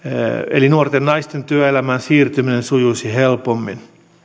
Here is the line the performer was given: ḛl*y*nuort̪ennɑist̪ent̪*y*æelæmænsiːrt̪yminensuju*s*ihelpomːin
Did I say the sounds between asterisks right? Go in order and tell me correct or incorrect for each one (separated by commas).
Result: incorrect, correct, correct